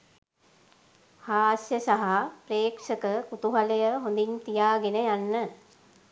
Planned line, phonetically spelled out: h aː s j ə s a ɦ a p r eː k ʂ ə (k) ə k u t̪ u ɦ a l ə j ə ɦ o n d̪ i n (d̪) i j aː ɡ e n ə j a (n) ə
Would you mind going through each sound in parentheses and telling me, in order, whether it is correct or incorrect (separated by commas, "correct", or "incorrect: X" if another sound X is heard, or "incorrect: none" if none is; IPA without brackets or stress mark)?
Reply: correct, incorrect: t̪, incorrect: nː